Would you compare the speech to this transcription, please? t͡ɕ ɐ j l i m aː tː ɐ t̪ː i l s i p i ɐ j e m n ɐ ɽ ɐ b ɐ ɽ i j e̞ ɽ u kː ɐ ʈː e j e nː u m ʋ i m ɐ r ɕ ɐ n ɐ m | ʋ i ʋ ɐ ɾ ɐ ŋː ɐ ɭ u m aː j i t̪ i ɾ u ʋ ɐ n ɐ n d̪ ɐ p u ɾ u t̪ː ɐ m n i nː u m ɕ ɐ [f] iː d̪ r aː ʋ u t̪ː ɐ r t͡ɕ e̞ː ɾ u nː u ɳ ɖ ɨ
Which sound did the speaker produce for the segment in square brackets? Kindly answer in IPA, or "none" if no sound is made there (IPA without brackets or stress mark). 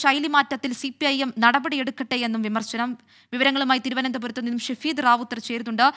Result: f